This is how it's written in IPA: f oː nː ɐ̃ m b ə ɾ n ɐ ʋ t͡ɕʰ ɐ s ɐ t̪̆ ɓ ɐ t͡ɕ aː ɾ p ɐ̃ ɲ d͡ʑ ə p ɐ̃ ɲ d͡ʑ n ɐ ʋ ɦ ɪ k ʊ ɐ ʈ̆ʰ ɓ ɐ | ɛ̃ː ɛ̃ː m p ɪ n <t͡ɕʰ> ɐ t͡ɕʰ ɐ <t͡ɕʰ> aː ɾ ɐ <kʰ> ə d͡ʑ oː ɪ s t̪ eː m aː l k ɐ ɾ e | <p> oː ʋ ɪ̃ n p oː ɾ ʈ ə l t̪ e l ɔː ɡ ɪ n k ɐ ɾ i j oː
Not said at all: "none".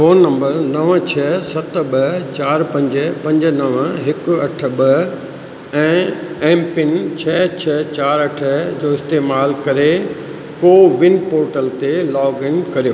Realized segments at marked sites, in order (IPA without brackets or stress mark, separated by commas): t͡ɕʰ, t͡ɕ, ʈʰ, k